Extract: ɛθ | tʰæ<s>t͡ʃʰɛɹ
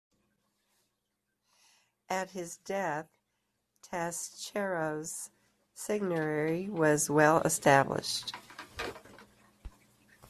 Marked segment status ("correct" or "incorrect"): correct